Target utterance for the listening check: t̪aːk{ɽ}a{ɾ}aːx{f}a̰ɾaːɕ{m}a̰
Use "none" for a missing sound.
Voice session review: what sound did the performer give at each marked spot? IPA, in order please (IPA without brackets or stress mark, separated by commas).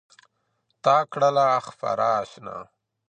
ɽ, l, f, n